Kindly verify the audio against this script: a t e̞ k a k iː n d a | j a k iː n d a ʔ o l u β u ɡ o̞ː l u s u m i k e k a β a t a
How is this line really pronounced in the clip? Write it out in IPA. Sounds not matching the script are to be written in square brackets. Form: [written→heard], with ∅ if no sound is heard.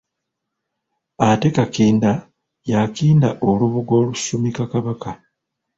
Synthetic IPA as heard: a t e̞ k a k iː n d a | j a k iː n d a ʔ o l u β u ɡ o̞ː l u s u m i k [e→a] k a β a [t→k] a